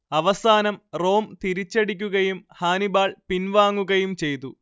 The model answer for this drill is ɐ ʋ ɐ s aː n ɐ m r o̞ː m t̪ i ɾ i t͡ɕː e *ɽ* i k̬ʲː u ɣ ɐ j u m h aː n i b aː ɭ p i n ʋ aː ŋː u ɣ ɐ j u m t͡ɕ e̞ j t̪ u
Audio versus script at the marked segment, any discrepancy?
no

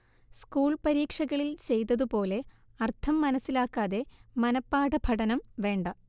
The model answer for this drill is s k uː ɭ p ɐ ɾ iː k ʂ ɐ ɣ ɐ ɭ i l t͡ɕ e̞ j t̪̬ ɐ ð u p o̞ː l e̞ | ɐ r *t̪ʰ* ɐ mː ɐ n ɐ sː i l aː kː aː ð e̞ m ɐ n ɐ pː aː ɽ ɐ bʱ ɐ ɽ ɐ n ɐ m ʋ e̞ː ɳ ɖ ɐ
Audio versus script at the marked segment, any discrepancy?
no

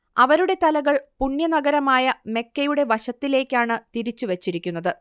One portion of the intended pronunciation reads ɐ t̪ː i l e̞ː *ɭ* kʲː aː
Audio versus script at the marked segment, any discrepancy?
yes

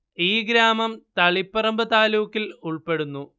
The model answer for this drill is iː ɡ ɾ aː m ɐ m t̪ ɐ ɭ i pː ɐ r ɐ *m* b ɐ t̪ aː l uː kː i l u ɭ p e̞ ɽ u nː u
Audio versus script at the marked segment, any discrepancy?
no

